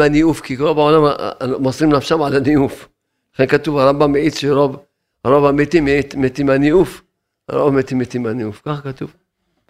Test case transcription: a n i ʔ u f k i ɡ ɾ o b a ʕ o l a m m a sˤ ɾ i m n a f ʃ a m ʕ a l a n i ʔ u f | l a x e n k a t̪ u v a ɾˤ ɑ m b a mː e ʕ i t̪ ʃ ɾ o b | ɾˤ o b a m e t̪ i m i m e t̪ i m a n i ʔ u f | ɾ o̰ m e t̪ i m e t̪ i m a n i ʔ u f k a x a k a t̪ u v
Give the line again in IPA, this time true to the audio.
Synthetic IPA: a n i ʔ u f k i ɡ ɾ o b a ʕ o l a m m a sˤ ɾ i m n a f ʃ a m ʕ a l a n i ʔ u f | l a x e n k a t̪ u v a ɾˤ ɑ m b a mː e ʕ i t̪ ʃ ɾ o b | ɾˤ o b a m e t̪ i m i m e t̪ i m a n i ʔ u f | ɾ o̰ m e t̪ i m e t̪ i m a n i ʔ u f k a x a k a t̪ u v